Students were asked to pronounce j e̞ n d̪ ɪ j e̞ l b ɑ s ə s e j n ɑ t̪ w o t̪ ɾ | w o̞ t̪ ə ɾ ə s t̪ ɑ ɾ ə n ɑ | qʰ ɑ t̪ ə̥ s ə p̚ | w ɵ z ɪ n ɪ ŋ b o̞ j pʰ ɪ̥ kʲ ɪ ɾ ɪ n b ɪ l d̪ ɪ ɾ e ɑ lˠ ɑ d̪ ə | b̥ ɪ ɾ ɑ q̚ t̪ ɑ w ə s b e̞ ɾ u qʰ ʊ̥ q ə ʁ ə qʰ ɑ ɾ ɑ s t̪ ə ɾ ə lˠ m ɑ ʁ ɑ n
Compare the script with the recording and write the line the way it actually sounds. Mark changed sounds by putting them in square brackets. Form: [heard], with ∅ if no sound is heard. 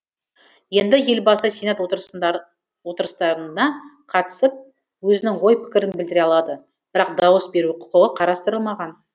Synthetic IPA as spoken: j e̞ n d̪ ɪ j e̞ l b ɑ s ə s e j n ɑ t̪ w o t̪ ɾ | w o̞ t̪ ə ɾ ə s t̪ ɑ ɾ ə n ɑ | qʰ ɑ t̪ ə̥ s ə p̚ | w ɵ z ɪ n ɪ ŋ [w] o̞ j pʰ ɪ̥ kʲ ɪ ɾ ɪ n b ɪ l d̪ ɪ ɾ e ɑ lˠ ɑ d̪ ə | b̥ ɪ ɾ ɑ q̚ [d̪] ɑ w ə s b e̞ ɾ u qʰ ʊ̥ q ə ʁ ə qʰ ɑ ɾ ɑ s t̪ ə ɾ ə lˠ m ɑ ʁ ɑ n

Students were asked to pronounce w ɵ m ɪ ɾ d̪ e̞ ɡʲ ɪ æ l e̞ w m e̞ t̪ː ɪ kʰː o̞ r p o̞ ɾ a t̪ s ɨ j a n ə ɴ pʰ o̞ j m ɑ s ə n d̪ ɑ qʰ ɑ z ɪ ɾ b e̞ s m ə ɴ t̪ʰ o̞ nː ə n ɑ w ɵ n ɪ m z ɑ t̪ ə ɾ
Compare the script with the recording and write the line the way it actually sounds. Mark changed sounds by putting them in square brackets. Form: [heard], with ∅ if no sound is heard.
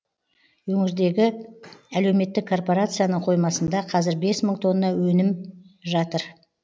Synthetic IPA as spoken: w ɵ [ŋ] ɪ ɾ d̪ e̞ ɡʲ ɪ æ l e̞ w m e̞ t̪ː ɪ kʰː o̞ r p o̞ ɾ a t̪ s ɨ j a n ə ɴ [qʰ] o̞ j m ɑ s ə n d̪ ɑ qʰ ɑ z ɪ ɾ b e̞ s m ə ɴ t̪ʰ o̞ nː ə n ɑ w ɵ n ɪ m [ʒ] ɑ t̪ ə ɾ

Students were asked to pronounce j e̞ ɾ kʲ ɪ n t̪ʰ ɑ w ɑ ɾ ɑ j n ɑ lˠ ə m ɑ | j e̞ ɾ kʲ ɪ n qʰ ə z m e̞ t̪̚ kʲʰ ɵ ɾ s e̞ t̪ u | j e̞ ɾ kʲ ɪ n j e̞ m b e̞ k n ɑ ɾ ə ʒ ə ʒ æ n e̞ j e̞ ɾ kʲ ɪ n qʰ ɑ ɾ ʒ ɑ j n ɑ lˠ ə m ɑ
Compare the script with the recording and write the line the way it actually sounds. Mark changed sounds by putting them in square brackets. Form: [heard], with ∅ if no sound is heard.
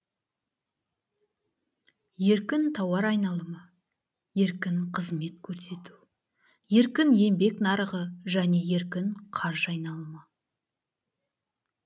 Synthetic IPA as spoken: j e̞ ɾ kʲ ɪ n t̪ʰ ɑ w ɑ ɾ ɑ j n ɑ lˠ ə m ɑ | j e̞ ɾ kʲ ɪ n qʰ ə z m e̞ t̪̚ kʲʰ ɵ ɾ s e̞ t̪ u | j e̞ ɾ kʲ ɪ n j e̞ m b e̞ k n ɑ ɾ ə [ʁ] ə ʒ æ n e̞ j e̞ ɾ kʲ ɪ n qʰ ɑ ɾ ʒ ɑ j n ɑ lˠ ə m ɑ

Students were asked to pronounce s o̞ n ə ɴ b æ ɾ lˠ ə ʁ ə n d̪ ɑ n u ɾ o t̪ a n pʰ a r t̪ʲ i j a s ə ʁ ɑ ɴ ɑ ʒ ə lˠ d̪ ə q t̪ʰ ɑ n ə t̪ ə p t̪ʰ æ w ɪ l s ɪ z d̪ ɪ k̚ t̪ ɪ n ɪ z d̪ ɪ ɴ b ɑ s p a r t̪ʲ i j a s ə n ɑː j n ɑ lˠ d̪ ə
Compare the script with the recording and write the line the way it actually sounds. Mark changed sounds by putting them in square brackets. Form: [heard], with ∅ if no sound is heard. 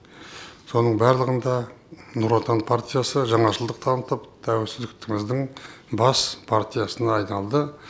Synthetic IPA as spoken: s o̞ n ə ɴ b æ ɾ lˠ ə ʁ ə n d̪ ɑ n u ɾ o t̪ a n pʰ a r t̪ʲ i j a s ə [ʒ] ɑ ɴ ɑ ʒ ə lˠ d̪ ə q t̪ʰ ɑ n ə t̪ ə p t̪ʰ æ w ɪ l s ɪ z d̪ ɪ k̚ t̪ ɪ [ŋ] ɪ z d̪ ɪ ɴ b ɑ s [pʰ] a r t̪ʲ i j a s ə n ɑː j n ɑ lˠ d̪ ə

